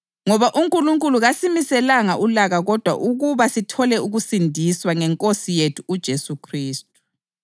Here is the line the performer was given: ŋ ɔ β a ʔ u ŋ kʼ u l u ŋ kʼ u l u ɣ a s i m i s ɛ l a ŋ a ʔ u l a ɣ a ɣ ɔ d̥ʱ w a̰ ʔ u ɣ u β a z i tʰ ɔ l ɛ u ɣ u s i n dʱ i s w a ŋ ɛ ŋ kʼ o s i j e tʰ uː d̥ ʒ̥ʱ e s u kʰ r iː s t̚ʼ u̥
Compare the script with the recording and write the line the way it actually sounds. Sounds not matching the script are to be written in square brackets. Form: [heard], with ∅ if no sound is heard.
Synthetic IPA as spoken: ŋ ɔ β a ʔ u ŋ kʼ u l u ŋ kʼ u l u ɣ a s i m i s ɛ l a ŋ a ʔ u l a ɣ a ɣ ɔ d̥ʱ w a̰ ʔ u ɣ u β a [s] i tʰ ɔ l ɛ u ɣ u s i n dʱ i s w a ŋ ɛ ŋ kʼ o s i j e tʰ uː d̥ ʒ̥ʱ e s u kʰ r iː s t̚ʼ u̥

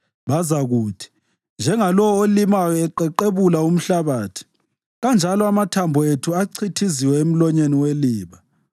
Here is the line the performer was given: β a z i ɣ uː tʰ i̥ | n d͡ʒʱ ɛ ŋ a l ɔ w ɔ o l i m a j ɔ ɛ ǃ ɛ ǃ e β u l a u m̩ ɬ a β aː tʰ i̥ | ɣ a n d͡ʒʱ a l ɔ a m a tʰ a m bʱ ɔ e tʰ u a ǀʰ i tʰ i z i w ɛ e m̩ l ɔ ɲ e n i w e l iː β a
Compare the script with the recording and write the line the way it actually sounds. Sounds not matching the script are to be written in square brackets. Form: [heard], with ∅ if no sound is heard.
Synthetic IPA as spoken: β a z [a] ɣ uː tʰ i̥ | n d͡ʒʱ ɛ ŋ a l ɔ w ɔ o l i m a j ɔ ɛ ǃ ɛ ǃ e β u l a u m̩ ɬ a β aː tʰ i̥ | ɣ a n d͡ʒʱ a l ɔ a m a tʰ a m bʱ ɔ e tʰ u a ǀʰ i tʰ i z i w ɛ e m̩ l ɔ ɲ e n i w e l iː β a

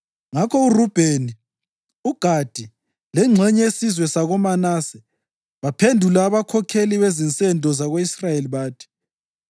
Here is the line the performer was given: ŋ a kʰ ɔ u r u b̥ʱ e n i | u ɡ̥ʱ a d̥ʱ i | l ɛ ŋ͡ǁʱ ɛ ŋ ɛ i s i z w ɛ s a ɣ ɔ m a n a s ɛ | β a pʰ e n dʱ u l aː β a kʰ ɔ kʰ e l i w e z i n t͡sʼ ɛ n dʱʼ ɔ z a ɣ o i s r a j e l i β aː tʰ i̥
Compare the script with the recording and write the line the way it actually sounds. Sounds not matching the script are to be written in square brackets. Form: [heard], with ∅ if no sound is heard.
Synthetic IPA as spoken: ŋ a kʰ ɔ u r u b̥ʱ e n i | u ɡ̥ʱ a d̥ʱ i | l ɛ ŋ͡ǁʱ ɛ [ɲ] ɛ [e] s i z w ɛ s a ɣ ɔ m a n a s ɛ | β a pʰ e n dʱ u l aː β a kʰ ɔ kʰ e l i [β] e z i n t͡sʼ ɛ n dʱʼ ɔ z a ɣ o i s r a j e l i β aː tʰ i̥

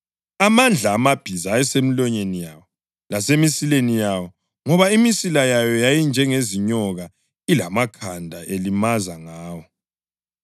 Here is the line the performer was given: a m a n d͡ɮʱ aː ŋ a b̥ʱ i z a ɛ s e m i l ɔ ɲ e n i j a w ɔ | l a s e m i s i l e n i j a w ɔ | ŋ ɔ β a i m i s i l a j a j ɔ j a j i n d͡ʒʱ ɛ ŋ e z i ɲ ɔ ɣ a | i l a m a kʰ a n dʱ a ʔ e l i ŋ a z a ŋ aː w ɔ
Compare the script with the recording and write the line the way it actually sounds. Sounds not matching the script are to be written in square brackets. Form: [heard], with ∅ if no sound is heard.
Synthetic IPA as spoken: a m a n d͡ɮʱ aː [m] a b̥ʱ i z a ɛ s e m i l ɔ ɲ e n i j a w ɔ | l a s e m i s i l e n i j a w ɔ | ŋ ɔ β a i m i s i l a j a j ɔ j a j i n d͡ʒʱ ɛ ŋ e z i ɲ ɔ ɣ a | i l a m a kʰ a n dʱ a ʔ e l i [m] a z a ŋ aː w ɔ

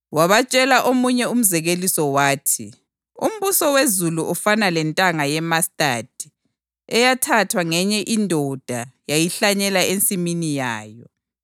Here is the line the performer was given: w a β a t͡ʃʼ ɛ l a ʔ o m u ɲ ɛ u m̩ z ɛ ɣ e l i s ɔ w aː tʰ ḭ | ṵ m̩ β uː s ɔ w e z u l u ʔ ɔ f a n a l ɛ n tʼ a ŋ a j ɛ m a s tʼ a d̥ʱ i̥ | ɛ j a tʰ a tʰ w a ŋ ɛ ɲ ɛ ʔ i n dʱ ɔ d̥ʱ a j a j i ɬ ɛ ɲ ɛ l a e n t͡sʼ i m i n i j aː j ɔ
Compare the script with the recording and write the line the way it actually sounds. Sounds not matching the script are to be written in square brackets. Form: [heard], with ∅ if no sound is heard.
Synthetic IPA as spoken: w a β a t͡ʃʼ ɛ l a ʔ o m u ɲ ɛ u m̩ z ɛ ɣ e l i s ɔ w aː tʰ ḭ | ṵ m̩ β [u] s ɔ w e z u l u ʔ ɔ f a n a l ɛ n tʼ a ŋ a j ɛ m a s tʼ a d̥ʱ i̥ | ɛ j a tʰ a tʰ w a ŋ ɛ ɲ ɛ ʔ i n dʱ ɔ d̥ʱ a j a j i ɬ [a] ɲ ɛ l a e n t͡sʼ i m i n i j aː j ɔ

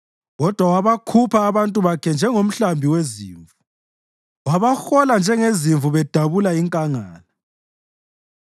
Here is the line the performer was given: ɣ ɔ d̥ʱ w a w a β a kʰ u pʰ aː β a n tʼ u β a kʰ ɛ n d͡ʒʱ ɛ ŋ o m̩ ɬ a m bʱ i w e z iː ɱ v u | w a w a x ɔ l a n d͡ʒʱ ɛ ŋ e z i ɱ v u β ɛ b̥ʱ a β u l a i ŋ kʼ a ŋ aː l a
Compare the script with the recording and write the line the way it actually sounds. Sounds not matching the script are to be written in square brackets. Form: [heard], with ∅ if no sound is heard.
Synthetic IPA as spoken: ɣ ɔ d̥ʱ w a w a β a kʰ u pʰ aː β a n tʼ u β a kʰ ɛ n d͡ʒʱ ɛ ŋ o m̩ ɬ a m bʱ i w e z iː ɱ v u | w a [β] a x ɔ l a n d͡ʒʱ ɛ ŋ e z i ɱ v u β ɛ [d̥ʱ] a β u l a i ŋ kʼ a ŋ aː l a

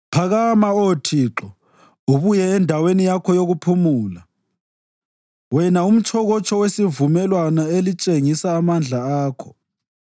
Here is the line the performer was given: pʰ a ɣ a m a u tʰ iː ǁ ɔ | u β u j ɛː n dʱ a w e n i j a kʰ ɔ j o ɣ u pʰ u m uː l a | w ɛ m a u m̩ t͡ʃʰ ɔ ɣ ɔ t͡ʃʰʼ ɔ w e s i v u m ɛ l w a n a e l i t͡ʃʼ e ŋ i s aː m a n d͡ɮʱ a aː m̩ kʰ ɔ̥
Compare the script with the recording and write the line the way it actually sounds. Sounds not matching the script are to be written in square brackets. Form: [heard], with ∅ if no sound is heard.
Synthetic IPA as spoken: pʰ a ɣ a m a [o] tʰ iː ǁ ɔ | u β u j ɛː n dʱ a w e n i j a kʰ ɔ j o ɣ u pʰ u m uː l a | w ɛ [n] a u m̩ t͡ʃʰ ɔ ɣ ɔ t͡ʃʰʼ ɔ w e s i v u m ɛ l w a n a e l i t͡ʃʼ e ŋ i s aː m a n d͡ɮʱ a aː [∅] kʰ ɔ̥

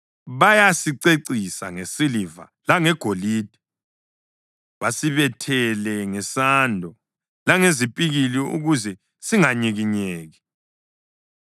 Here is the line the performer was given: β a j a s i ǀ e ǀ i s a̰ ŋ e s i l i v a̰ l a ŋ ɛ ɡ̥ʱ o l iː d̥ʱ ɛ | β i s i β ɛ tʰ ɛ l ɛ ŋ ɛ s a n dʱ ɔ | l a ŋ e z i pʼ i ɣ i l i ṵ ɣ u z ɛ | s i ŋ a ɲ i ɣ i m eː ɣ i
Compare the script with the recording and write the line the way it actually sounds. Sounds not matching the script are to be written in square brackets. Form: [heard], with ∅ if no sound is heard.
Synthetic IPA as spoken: β a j a s i ǀ e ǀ i s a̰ ŋ e s i l i v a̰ l a ŋ ɛ ɡ̥ʱ o l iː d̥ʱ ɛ | β [a] s i β ɛ tʰ ɛ l ɛ ŋ ɛ s a n dʱ ɔ | l a ŋ e z i pʼ i ɣ i l i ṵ ɣ u z ɛ | s i ŋ a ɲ i ɣ i [ɲ] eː ɣ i

